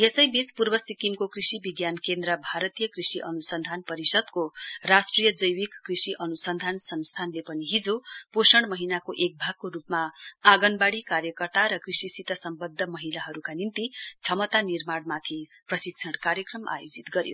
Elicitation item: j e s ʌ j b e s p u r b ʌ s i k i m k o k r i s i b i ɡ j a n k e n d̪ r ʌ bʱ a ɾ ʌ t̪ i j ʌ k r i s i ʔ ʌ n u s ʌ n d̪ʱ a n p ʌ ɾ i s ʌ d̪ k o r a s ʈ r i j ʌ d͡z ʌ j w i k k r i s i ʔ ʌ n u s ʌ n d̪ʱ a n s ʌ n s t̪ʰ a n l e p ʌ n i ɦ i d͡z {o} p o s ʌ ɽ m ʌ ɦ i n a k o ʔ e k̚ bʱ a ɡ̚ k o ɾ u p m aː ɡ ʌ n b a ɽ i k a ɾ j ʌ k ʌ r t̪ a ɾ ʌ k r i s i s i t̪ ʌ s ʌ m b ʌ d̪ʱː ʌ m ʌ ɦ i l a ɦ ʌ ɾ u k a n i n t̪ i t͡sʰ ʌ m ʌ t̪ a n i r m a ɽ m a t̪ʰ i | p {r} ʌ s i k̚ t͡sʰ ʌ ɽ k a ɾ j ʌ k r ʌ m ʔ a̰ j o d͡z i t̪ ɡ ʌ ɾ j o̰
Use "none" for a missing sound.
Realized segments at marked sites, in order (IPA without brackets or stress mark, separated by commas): o, r